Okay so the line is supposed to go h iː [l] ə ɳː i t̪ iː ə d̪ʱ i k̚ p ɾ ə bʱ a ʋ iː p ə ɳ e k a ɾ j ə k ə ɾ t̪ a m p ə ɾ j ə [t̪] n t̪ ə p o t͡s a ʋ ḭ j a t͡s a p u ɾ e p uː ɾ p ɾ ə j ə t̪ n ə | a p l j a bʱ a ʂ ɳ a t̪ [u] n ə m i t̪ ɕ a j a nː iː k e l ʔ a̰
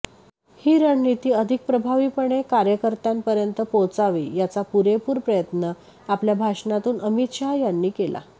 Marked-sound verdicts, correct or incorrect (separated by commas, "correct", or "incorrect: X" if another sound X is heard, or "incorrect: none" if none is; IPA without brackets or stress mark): incorrect: ɾ, incorrect: none, incorrect: uː